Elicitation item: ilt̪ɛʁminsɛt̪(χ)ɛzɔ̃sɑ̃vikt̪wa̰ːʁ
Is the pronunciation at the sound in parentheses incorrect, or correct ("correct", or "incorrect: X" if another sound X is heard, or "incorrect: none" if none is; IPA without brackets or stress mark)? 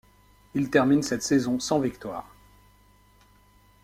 incorrect: s